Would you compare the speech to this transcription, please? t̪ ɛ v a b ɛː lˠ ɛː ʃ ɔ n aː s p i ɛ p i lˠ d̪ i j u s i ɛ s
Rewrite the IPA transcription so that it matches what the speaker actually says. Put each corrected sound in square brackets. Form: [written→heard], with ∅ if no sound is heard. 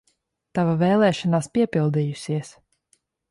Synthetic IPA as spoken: t̪ [ɛ→a] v a [b→v] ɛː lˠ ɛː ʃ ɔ n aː s p i ɛ p i lˠ d̪ i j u s i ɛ s